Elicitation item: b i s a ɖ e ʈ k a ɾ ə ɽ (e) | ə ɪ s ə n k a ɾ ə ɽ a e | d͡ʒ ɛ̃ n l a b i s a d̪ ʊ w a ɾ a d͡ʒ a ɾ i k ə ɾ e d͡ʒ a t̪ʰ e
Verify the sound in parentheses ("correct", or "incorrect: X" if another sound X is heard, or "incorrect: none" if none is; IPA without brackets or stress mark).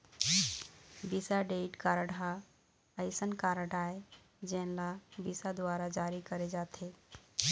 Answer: incorrect: a